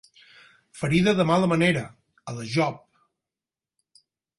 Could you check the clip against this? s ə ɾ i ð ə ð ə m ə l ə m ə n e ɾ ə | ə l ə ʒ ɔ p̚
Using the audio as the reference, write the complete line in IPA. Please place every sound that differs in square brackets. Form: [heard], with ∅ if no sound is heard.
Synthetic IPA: [f] ə ɾ i ð ə ð ə m [a] l ə m ə n e ɾ ə | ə l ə ʒ ɔ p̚